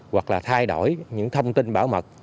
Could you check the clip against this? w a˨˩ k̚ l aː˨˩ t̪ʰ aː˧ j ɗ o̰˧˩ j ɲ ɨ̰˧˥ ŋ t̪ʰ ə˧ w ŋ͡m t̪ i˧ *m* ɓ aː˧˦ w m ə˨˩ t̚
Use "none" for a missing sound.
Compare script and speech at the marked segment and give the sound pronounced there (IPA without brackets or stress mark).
n